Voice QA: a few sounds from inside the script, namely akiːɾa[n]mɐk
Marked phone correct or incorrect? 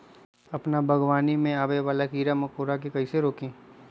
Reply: incorrect